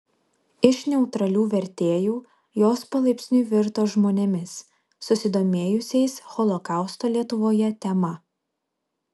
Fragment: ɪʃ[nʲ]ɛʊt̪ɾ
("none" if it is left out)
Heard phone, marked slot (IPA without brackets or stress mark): nʲ